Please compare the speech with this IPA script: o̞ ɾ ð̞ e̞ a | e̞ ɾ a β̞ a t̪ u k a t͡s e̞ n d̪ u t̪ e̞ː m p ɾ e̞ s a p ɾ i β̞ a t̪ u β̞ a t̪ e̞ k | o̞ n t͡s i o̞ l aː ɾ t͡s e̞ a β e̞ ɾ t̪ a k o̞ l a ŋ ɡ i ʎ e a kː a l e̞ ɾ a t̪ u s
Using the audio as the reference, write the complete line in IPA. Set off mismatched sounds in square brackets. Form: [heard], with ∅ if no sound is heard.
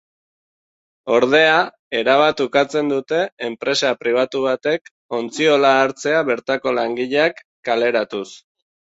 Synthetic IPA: o̞ ɾ ð̞ e̞ a | e̞ ɾ a β̞ a t̪ u k a t͡s e̞ n d̪ u t̪ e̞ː m p ɾ e̞ s a p ɾ i β̞ a t̪ u β̞ a t̪ e̞ k | o̞ n t͡s i o̞ l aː ɾ t͡s e̞ a β e̞ ɾ t̪ a k o̞ l a ŋ ɡ i ʎ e a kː a l e̞ ɾ a t̪ u s